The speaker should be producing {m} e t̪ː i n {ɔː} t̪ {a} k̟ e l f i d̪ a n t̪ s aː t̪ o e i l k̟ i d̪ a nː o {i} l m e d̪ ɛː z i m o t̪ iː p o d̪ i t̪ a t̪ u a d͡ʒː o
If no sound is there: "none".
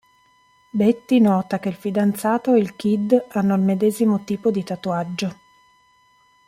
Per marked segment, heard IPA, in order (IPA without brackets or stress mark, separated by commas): b, ɔː, a, i